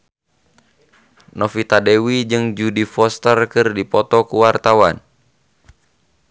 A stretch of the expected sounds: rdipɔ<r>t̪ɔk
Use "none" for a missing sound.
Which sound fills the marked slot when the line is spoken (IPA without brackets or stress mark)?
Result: none